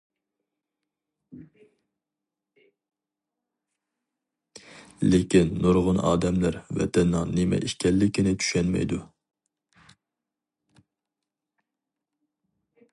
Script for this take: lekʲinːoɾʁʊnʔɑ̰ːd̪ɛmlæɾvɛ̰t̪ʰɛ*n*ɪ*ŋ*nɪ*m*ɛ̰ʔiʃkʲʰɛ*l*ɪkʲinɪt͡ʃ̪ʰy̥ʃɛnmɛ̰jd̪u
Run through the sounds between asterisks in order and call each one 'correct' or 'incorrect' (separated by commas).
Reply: incorrect, correct, correct, incorrect